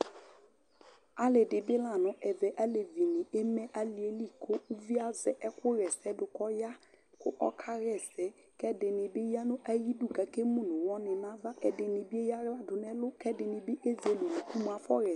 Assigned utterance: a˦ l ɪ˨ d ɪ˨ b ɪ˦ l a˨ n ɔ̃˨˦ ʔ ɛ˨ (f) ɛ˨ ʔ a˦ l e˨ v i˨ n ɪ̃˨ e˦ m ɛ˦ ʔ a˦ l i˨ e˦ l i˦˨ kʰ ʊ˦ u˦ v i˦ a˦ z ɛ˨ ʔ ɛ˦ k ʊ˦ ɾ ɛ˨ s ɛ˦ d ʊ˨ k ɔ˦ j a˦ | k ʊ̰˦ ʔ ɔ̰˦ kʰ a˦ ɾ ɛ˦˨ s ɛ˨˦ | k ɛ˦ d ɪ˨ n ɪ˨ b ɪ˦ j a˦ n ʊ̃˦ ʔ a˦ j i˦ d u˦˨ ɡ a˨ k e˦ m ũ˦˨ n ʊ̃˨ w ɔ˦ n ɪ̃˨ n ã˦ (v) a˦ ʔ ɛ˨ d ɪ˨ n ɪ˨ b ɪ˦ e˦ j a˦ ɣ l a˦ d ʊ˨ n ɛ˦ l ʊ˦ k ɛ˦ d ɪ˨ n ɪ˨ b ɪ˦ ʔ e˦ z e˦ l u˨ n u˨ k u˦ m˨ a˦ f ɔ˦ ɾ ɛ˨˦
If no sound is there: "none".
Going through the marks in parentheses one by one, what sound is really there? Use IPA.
v, v

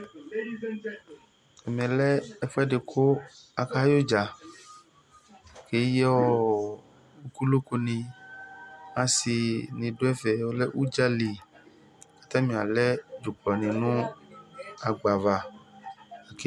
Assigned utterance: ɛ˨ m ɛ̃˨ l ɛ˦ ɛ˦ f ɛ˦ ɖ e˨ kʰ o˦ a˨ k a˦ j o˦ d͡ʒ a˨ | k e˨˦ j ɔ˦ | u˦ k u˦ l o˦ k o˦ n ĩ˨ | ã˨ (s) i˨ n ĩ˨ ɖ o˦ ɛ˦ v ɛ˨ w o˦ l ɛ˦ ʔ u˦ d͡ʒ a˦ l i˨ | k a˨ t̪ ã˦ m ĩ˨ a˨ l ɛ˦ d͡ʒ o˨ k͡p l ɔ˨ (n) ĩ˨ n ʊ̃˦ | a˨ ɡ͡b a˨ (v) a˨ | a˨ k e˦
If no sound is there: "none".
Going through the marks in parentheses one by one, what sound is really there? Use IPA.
s, n, v

